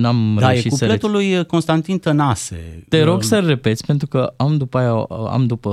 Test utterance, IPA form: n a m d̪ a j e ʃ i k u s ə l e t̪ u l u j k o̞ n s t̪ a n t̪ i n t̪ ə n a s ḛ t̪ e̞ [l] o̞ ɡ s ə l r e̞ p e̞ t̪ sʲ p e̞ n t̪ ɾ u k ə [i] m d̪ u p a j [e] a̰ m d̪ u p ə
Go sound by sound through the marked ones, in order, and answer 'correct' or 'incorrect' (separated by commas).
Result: incorrect, incorrect, incorrect